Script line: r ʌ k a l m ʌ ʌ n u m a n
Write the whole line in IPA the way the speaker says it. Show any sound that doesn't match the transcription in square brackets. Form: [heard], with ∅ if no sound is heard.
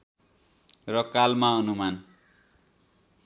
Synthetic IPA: r ʌ k a l m [a] ʌ n u m a n

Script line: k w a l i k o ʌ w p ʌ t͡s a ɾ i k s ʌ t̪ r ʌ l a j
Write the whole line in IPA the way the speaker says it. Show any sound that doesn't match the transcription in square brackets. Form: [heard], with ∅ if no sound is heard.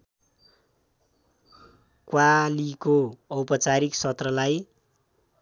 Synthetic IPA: k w a l i k o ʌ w p ʌ t͡s a ɾ i k s ʌ t̪ r ʌ l a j

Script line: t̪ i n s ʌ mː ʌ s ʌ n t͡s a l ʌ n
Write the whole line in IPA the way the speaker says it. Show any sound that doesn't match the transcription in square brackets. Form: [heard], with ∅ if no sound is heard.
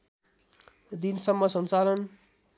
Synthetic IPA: [d̪] i n s ʌ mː ʌ s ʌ n t͡s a l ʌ n

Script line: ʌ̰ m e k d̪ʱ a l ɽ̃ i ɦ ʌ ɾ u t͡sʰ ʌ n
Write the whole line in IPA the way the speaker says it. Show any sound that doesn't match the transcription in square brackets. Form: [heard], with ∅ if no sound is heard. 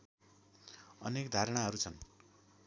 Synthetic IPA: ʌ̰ [n] e k d̪ʱ a [ɾ] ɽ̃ [a] ɦ ʌ ɾ u t͡sʰ ʌ n

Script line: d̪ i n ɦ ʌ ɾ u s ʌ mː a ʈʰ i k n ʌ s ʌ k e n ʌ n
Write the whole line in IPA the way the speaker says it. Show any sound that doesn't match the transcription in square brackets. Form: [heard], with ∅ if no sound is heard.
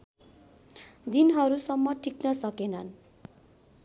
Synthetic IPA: d̪ i n ɦ ʌ ɾ u s ʌ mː [ʌ] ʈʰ i k n ʌ s ʌ k e n ʌ n

